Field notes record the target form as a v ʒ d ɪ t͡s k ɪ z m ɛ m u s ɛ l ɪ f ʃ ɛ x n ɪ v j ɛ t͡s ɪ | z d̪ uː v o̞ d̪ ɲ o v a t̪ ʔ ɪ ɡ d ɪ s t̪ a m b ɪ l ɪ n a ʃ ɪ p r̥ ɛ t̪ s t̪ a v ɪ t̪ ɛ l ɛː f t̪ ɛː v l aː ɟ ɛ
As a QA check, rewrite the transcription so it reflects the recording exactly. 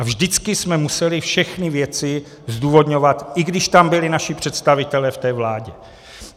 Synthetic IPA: a v ʒ d ɪ t͡s k ɪ s m ɛ m u s ɛ l ɪ f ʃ ɛ x n ɪ v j ɛ t͡s ɪ | z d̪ uː v o̞ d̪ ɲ o v a t̪ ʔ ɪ ɡ d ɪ ʃ t̪ a m b ɪ l ɪ n a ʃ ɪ p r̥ ɛ t̪ s t̪ a v ɪ t̪ ɛ l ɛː f t̪ ɛː v l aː ɟ ɛ